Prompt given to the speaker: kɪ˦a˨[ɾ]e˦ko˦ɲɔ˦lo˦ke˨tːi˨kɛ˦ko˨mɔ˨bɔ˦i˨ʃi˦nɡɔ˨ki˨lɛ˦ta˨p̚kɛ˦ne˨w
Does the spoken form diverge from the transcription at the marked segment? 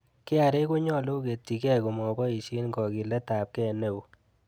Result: no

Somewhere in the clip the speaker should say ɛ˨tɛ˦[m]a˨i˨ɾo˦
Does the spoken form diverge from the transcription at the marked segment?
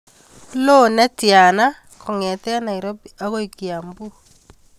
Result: yes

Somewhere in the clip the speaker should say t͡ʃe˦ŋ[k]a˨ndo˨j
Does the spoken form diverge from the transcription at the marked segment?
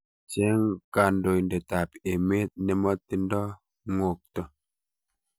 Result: no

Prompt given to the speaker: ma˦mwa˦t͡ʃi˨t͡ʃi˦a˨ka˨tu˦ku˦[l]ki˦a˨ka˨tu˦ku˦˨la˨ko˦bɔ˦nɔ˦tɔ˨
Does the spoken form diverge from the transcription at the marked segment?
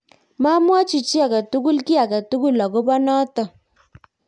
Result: no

